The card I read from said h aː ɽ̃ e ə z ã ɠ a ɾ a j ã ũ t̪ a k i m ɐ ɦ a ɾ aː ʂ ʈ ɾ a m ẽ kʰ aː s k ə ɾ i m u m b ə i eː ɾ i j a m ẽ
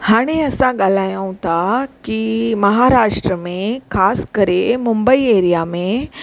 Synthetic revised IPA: h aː ɽ̃ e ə s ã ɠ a l a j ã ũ t̪ a k i m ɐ ɦ a ɾ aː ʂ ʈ ɾ ə m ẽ kʰ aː s k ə ɾ e m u m b ə i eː ɾ i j a m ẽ